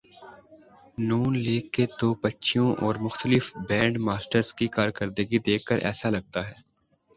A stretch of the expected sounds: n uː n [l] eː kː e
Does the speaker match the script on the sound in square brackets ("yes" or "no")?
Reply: yes